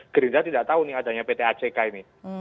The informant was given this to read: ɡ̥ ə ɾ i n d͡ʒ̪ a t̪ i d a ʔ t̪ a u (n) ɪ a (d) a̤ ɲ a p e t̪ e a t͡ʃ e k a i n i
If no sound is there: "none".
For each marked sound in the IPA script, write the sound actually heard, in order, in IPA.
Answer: n, d

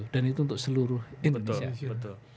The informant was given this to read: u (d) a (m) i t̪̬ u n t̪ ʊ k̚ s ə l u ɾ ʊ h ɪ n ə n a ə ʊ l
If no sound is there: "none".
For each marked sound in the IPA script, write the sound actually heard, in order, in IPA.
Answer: d, n

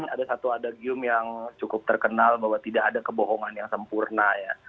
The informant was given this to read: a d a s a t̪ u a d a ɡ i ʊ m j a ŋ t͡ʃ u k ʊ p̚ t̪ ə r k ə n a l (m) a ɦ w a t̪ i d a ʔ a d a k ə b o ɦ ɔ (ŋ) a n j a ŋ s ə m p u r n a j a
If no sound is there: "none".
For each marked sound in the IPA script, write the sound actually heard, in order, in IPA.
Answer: b, ŋ

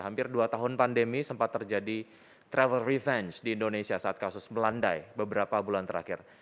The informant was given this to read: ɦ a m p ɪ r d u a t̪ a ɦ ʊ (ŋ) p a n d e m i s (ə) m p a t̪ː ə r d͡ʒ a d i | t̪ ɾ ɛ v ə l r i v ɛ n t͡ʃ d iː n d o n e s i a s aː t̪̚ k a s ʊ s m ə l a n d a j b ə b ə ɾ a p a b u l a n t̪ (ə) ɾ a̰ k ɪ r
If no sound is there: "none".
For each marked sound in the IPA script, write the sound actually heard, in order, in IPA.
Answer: n, ə, ə

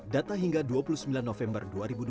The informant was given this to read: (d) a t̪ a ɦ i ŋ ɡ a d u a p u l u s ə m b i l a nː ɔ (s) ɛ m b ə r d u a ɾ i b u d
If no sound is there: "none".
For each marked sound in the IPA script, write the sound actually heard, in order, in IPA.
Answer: d, f

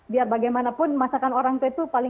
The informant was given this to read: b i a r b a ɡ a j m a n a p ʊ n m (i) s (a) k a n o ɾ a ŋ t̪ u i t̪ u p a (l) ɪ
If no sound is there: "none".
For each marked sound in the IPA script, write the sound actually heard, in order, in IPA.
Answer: a, a, l

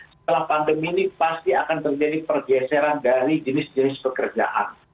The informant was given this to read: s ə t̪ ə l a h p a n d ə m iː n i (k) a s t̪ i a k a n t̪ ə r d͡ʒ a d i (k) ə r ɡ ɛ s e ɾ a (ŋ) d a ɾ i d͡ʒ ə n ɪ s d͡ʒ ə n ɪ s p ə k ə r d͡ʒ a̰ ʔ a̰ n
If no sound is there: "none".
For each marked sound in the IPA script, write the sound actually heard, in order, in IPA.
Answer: p, p, n

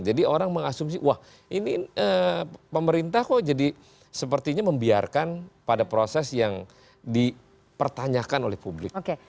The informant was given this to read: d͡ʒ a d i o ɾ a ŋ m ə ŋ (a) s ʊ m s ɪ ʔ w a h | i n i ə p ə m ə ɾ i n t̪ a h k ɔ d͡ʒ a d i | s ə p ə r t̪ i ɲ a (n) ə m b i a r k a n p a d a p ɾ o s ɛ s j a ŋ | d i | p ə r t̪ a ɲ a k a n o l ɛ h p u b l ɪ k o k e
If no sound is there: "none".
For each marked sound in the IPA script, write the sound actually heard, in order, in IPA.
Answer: a, m

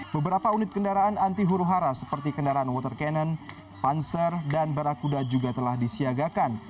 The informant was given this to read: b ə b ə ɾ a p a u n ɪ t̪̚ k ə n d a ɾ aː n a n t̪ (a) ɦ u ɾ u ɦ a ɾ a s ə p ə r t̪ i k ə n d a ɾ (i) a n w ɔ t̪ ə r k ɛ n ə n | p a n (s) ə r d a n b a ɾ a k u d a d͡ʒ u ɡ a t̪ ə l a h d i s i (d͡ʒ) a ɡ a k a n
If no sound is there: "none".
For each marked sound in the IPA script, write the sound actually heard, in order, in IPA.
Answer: i, a, s, none

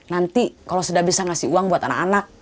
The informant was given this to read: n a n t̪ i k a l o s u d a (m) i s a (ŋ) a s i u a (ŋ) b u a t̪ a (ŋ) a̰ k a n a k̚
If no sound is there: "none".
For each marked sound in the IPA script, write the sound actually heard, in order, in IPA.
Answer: b, ŋ, ŋ, n

